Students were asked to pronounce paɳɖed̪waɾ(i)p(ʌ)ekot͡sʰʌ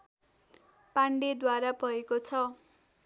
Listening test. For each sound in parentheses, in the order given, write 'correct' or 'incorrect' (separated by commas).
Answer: incorrect, correct